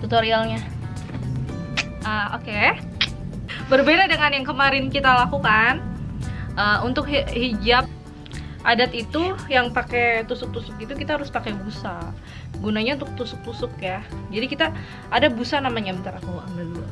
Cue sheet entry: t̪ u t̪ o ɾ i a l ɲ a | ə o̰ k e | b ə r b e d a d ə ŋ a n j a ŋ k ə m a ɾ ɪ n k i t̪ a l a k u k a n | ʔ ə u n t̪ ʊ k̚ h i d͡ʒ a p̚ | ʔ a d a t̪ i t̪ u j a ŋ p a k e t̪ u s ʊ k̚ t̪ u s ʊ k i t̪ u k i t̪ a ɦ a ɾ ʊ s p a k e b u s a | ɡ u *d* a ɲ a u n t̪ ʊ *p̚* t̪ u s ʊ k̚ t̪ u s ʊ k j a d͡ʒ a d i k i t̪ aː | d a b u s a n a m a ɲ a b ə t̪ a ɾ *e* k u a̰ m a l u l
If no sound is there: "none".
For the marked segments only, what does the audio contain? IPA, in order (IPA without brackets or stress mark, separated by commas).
n, k̚, a